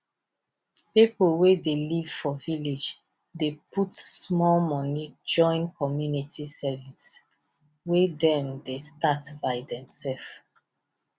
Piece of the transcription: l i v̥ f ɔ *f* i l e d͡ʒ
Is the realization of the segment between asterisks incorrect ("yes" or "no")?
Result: yes